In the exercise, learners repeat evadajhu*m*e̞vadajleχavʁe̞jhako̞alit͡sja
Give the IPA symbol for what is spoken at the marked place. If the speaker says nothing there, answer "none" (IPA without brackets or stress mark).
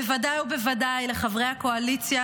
b